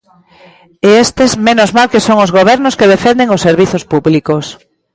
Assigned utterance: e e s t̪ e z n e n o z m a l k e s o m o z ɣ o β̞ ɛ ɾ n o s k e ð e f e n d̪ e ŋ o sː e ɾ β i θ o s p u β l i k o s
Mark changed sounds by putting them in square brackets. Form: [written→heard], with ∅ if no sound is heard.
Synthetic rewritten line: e e s t̪ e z [n→m] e n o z m a l k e s o [m→ŋ] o z ɣ o β̞ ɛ ɾ n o s k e ð e f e n d̪ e ŋ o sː e ɾ β i θ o s p u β l i k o s